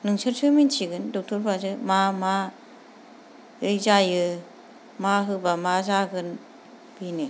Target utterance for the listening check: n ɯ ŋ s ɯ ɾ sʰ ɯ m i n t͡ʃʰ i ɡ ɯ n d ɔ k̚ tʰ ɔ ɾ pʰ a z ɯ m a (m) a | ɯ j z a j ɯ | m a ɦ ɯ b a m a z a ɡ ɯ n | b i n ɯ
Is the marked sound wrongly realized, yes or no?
no